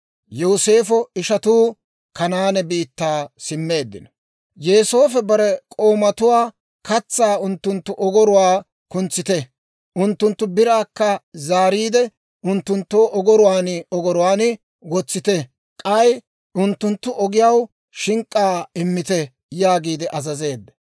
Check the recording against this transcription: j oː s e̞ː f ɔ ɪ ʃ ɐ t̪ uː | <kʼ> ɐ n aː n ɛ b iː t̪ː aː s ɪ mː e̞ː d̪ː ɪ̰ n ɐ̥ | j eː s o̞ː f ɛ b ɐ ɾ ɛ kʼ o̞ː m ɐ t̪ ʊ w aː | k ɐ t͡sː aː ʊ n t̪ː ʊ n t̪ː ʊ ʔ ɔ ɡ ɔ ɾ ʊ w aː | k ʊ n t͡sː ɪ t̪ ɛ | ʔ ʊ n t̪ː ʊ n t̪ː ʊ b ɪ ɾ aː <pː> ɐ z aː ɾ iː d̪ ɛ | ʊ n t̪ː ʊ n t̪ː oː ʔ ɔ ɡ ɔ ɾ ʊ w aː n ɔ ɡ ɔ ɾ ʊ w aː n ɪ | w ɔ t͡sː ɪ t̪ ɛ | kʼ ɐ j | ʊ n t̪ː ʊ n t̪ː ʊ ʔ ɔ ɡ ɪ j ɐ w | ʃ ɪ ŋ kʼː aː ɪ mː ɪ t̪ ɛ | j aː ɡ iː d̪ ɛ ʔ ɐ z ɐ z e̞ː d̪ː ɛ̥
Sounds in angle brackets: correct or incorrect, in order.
incorrect: k, incorrect: kː

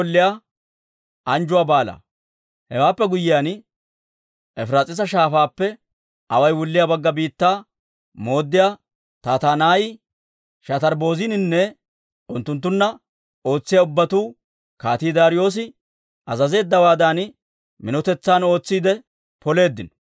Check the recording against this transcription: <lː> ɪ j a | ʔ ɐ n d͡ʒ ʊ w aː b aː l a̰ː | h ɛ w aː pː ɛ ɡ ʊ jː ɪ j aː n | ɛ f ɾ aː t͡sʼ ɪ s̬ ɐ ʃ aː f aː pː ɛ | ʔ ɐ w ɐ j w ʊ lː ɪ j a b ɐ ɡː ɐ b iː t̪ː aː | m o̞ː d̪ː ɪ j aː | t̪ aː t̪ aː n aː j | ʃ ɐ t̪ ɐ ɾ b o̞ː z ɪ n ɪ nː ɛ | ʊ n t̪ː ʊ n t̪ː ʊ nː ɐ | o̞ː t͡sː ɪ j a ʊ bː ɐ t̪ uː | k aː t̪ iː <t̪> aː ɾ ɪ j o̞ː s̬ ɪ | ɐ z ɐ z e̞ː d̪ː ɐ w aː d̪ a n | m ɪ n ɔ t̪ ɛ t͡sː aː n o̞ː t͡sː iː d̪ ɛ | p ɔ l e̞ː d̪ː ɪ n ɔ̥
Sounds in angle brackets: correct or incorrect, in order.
correct, incorrect: d̪

